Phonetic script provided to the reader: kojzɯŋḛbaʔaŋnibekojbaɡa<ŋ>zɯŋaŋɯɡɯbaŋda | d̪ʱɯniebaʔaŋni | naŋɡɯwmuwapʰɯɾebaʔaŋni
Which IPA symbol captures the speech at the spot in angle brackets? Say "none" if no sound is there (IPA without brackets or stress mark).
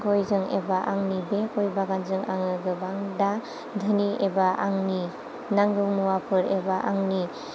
n